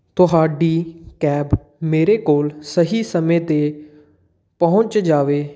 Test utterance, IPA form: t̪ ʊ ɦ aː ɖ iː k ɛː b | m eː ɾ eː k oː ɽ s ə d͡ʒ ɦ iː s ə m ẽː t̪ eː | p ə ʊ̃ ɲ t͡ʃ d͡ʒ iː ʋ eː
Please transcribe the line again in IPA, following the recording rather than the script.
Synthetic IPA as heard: t̪ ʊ ɦ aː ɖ iː k ɛː b | m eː ɾ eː k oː l s ə ɦ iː s ə m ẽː t̪ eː | p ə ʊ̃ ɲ t͡ʃ d͡ʒ aː ʋ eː